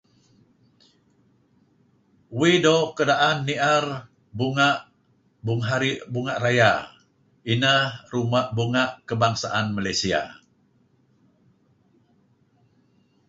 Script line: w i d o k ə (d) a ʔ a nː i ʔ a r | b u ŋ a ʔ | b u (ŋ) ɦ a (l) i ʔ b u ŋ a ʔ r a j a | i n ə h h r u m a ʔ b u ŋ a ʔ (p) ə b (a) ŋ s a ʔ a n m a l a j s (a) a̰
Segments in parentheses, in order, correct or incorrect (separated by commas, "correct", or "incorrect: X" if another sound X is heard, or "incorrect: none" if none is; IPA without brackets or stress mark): correct, correct, incorrect: ɾ, incorrect: k, correct, incorrect: i